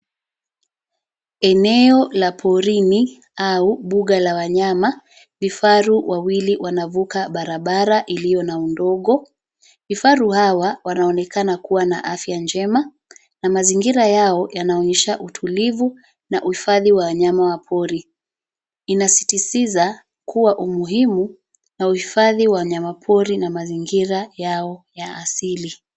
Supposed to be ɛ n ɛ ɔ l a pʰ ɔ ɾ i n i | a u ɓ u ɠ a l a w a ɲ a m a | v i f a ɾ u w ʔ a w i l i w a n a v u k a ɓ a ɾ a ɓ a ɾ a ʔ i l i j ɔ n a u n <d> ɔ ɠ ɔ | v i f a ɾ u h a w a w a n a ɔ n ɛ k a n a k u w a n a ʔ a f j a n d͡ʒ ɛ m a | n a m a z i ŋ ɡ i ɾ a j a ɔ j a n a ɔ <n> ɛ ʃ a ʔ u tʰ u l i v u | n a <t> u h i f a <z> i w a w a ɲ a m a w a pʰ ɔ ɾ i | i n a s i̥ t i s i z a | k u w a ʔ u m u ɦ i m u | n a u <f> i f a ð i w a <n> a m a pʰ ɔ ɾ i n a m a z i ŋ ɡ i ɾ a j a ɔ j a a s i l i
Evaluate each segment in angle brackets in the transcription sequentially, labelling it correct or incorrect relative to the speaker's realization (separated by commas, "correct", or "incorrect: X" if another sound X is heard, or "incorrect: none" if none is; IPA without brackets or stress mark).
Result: correct, incorrect: ɲ, incorrect: ʔ, incorrect: ð, incorrect: h, incorrect: ɲ